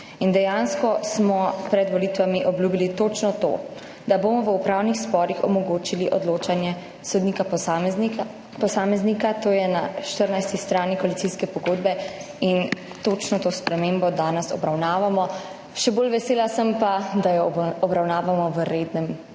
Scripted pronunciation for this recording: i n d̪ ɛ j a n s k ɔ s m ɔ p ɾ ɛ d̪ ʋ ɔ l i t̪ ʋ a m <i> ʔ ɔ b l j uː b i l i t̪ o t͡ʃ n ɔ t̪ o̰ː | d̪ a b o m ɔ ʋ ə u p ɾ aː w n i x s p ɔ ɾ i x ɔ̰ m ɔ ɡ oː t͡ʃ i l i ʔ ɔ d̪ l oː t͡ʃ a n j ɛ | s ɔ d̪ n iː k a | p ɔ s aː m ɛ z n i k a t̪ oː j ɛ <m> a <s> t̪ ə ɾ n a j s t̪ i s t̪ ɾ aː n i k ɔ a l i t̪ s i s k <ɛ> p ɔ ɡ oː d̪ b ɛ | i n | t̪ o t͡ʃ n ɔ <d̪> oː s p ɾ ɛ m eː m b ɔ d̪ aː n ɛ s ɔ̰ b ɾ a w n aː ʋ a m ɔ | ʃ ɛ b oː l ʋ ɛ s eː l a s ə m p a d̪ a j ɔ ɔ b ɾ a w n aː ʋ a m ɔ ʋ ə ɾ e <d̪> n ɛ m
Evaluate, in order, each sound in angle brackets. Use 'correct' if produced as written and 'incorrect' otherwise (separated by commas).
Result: correct, incorrect, incorrect, correct, incorrect, correct